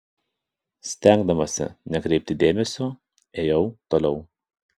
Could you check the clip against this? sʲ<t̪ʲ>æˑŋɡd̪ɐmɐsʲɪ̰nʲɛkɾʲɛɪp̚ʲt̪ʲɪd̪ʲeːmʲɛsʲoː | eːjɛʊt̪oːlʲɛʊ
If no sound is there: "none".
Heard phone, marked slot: t̪ʲ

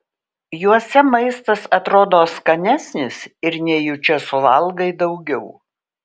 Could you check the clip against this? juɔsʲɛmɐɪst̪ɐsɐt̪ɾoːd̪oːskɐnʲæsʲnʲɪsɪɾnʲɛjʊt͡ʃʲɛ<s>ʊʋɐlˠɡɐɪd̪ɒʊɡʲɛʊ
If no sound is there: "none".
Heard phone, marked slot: s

